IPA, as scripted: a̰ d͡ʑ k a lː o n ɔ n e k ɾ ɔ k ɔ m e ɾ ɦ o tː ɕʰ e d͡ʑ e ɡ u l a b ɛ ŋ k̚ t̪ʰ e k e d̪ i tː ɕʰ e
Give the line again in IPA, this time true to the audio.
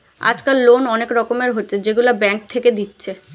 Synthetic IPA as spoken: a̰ d͡ʑ k a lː o n ɔ n e k ɾ ɔ k o m e ɾ ɦ o tː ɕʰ e d͡ʑ e ɡ u l a b ɛ ŋ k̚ t̪ʰ e k e d̪ i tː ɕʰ e

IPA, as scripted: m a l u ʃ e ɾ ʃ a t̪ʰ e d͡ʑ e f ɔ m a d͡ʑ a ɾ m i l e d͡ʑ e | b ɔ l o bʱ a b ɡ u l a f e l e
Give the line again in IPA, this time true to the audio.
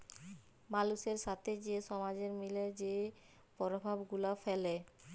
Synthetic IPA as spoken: m a l u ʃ e ɾ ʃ a t̪ʰ e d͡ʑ e ʃ ɔ m a d͡ʑ e ɾ m i l e d͡ʑ e | p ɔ ɾ o bʱ a b ɡ u l a f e l e

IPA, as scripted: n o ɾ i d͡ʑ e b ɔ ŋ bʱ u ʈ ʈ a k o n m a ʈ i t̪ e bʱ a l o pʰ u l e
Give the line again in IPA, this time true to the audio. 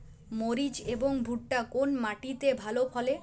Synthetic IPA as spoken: m o ɾ i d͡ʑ e b o ŋ bʱ u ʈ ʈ a k o n m a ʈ i t̪ e bʱ a l o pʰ ɔ l e

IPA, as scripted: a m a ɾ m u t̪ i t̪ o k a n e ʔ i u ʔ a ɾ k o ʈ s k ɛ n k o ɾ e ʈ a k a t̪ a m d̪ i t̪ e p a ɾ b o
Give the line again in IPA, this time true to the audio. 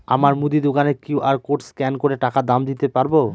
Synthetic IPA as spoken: a m a ɾ m u d̪ i d̪ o k a n e k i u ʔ a ɾ k o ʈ s k ɛ n k o ɾ e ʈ a k a d̪ a m d̪ i t̪ e p a ɾ b o

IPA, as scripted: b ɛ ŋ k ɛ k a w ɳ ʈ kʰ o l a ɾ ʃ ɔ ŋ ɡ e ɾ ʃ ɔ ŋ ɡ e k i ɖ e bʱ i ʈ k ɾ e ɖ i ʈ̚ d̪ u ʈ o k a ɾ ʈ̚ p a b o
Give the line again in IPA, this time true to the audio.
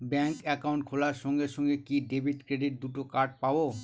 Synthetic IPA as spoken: b ɛ ŋ k ɛ k a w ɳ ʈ kʰ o l a ɾ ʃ ɔ ŋ ɡ e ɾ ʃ ɔ ŋ ɡ e k i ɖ e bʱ i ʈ k ɾ e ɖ i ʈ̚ d̪ u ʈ o k a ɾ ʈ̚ p a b o

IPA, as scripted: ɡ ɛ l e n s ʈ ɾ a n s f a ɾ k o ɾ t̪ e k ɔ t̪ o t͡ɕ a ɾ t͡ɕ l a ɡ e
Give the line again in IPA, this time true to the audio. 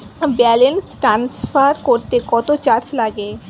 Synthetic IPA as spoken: b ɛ l e n s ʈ ɾ a n s f a ɾ k o ɾ t̪ e k ɔ t̪ o t͡ɕ a ɾ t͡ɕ l a ɡ e

